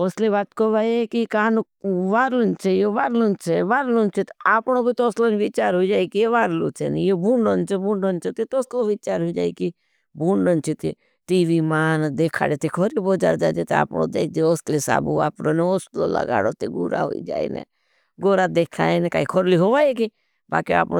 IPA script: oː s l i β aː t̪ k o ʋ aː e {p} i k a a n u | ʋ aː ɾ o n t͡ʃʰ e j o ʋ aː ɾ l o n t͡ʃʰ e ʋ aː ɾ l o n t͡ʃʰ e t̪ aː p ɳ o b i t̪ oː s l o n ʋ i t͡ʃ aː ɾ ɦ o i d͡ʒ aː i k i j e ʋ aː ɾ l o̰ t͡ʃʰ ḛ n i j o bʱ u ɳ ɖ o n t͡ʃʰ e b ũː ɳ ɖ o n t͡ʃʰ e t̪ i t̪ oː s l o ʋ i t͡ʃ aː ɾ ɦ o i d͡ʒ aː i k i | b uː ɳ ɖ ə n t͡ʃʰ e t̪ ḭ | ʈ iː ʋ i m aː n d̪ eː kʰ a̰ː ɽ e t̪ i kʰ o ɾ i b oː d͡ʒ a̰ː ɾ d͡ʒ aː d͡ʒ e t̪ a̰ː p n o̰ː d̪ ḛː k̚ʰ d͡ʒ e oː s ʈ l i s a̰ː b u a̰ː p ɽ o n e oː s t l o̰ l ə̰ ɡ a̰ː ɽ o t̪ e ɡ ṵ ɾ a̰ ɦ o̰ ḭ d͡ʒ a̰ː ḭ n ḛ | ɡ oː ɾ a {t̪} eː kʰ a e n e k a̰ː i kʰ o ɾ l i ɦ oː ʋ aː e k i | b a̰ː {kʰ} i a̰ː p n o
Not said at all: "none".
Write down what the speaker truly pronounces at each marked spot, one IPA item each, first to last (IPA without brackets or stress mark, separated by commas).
k, d̪, k